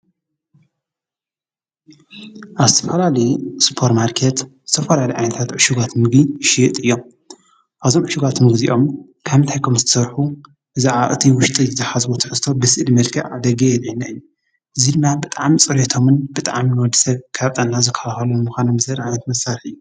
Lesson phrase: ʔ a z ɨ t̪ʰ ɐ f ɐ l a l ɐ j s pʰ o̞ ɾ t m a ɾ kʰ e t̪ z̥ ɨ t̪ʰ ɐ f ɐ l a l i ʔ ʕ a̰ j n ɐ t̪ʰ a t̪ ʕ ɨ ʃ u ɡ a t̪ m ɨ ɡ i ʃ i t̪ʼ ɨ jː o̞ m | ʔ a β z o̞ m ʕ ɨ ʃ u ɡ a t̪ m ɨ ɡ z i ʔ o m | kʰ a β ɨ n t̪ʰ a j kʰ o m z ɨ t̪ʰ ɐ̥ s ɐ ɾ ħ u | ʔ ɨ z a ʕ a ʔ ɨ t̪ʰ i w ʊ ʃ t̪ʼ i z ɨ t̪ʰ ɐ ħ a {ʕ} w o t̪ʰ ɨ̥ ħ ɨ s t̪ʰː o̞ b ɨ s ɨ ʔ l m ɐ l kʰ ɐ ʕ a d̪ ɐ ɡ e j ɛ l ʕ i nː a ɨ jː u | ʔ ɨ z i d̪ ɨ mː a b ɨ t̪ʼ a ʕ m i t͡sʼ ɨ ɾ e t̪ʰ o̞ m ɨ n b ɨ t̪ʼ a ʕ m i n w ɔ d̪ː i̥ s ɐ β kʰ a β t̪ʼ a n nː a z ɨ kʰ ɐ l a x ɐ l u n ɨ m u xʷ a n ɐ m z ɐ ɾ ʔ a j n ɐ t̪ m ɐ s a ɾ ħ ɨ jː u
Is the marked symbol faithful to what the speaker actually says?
no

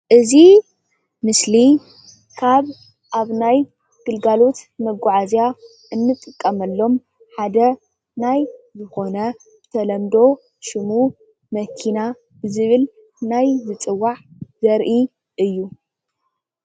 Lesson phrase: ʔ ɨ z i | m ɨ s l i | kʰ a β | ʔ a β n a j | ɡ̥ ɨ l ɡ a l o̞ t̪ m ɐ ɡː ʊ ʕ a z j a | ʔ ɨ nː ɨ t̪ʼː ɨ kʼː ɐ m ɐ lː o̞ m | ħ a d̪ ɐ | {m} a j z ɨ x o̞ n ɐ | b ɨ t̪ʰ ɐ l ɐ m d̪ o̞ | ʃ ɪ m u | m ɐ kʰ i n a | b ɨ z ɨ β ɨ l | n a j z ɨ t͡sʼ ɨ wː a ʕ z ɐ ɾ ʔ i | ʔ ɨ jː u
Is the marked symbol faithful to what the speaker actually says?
no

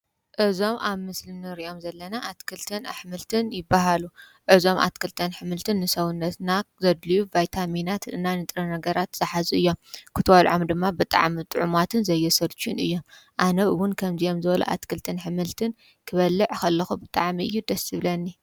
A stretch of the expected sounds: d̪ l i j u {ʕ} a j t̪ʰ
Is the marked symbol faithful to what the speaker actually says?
no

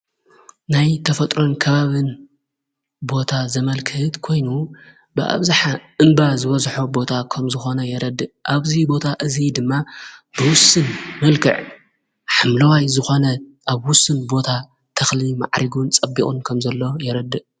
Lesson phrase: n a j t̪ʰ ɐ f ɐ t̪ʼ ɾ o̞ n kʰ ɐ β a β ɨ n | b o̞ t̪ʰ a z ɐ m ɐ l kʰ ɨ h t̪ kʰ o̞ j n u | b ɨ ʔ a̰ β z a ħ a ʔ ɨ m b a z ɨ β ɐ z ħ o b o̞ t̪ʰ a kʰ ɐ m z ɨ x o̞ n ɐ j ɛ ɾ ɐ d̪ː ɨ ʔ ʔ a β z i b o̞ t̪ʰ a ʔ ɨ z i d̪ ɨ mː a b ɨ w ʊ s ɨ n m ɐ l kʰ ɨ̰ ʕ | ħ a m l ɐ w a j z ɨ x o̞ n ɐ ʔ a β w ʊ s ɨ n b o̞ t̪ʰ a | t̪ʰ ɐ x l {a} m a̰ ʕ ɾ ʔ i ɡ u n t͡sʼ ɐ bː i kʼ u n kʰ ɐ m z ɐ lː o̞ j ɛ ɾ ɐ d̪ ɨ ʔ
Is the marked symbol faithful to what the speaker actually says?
no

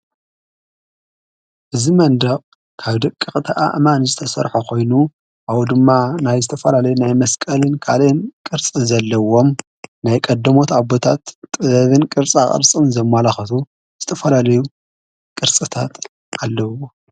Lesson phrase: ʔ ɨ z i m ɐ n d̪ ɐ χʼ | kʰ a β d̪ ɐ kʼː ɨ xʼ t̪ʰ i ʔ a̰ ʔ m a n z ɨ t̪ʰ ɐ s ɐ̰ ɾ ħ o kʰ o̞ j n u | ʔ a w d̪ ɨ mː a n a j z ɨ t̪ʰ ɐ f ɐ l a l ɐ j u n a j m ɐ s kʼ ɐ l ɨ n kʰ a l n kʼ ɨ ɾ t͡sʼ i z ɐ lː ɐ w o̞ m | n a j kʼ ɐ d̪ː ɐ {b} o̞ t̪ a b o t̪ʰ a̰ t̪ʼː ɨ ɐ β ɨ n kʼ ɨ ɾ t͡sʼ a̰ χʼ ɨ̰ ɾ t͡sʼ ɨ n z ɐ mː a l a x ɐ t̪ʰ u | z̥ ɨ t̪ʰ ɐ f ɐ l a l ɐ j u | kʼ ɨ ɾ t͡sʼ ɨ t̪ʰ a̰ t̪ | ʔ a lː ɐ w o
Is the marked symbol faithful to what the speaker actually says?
no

